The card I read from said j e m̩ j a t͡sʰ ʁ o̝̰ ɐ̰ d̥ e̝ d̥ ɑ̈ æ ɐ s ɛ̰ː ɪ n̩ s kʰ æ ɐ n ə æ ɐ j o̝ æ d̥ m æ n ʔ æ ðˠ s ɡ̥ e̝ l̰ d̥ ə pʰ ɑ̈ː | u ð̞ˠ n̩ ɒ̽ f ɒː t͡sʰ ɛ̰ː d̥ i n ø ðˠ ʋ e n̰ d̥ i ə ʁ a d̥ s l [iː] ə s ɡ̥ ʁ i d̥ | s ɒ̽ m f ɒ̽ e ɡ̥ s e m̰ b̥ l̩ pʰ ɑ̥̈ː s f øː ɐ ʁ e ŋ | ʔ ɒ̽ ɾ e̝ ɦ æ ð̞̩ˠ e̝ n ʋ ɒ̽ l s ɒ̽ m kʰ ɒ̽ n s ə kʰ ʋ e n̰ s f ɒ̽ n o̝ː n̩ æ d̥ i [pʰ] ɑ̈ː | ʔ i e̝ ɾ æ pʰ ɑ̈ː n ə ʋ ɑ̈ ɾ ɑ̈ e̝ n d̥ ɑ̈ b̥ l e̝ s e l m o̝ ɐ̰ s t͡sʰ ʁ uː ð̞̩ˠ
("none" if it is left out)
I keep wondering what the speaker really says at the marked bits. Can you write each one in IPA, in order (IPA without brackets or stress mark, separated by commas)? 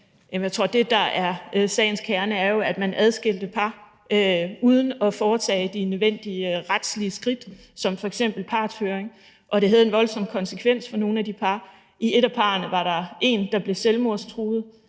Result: i, pʰ